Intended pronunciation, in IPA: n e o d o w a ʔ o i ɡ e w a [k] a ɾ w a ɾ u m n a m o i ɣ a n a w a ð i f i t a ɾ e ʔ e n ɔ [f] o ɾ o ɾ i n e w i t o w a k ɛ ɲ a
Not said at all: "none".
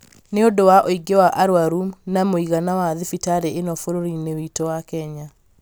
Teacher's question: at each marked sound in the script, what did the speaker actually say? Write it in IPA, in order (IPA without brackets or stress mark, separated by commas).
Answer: ʔ, f